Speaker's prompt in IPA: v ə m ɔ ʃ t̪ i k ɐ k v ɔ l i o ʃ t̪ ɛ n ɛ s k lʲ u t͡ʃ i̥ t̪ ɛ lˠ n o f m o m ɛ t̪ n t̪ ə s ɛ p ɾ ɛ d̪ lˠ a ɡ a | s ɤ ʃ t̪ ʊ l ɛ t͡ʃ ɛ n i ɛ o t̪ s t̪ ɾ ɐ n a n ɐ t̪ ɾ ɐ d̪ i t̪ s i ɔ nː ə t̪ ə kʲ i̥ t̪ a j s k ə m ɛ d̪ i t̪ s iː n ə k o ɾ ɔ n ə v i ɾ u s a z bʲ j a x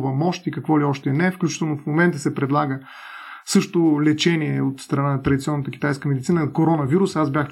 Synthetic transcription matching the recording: v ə m ɔ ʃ t̪ i k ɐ k v ɔ l i ɔ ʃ t̪ ɛ n ɛ f k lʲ u t͡ʃ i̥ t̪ ɛ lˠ n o f m o m ɛ n t̪ ə s ɛ p ɾ ɛ d̪ lˠ a ɡ ə | s ɤ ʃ t̪ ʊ l ɛ t͡ʃ ɛ n i ɛ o t̪ s t̪ ɾ ɐ n a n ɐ t̪ ɾ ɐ d̪ i t̪ s i ɔ nː ə t̪ ə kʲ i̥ t̪ a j s k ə m ɛ d̪ i t̪ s i n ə k o ɾ ɔ n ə v i ɾ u s a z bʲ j a x